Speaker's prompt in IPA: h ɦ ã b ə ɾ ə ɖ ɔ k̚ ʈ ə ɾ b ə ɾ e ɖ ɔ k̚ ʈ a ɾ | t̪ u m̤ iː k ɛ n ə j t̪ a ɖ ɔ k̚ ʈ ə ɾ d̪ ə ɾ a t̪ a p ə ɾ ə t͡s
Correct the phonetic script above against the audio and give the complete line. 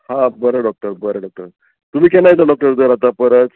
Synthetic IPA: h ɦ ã b ə ɾ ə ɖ ɔ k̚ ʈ ə ɾ b ə ɾ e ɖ ɔ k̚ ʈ ə ɾ | t̪ u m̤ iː k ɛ n a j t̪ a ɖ ɔ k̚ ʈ ə ɾ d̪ ə ɾ a t̪ a p ə ɾ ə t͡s